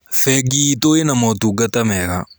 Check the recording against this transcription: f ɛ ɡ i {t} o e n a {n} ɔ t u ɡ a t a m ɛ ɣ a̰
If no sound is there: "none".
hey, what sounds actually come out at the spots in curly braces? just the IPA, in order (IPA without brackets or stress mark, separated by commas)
t, m